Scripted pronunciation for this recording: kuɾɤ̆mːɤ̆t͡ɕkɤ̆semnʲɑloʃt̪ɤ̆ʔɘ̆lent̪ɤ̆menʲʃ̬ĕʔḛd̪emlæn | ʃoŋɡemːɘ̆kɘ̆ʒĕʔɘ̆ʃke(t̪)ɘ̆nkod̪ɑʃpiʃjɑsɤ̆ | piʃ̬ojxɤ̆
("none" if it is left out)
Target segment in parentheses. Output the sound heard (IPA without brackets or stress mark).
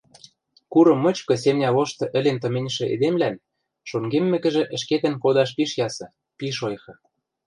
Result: t̪